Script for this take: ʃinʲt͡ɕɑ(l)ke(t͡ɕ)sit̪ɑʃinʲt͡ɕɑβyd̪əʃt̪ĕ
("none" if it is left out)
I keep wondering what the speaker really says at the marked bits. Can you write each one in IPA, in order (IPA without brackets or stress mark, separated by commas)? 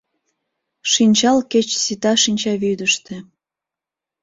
l, t͡ɕ